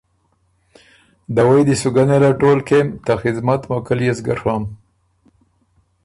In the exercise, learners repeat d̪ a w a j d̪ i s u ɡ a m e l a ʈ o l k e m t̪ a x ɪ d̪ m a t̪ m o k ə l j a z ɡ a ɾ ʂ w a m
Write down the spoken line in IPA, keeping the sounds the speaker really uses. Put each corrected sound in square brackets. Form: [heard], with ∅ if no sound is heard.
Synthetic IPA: d̪ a w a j d̪ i s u ɡ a [n] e l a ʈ o l k e m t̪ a x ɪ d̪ m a t̪ m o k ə l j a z ɡ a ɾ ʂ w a m